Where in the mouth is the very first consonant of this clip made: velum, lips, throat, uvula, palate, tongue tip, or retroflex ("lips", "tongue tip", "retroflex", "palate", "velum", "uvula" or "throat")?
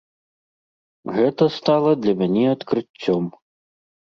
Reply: velum